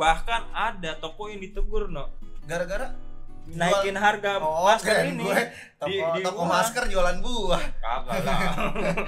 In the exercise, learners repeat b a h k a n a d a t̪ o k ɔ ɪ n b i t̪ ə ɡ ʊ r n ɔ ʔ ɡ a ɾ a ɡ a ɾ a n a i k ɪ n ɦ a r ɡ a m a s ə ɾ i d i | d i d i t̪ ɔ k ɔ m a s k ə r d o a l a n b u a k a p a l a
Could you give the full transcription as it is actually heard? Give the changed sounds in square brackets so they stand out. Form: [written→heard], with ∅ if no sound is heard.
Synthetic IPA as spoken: b a h k a n a d a t̪ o k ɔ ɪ n [b→d] i t̪ ə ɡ ʊ r n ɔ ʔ ɡ a ɾ a ɡ a ɾ a n a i k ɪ n ɦ a r ɡ a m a s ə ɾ i [d→n] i | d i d i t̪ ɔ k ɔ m a s k ə r [d→d͡ʒ] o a l a n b u a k a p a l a